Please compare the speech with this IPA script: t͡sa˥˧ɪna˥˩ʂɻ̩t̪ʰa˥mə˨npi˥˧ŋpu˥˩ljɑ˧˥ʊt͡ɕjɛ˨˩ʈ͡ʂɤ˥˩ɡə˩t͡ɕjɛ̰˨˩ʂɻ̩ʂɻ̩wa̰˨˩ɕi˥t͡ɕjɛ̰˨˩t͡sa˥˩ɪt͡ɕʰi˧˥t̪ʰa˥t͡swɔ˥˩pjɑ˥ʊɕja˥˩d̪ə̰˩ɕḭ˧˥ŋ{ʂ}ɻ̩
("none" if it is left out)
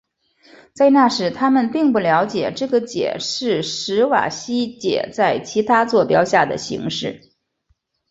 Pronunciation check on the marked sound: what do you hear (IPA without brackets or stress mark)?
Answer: ʂ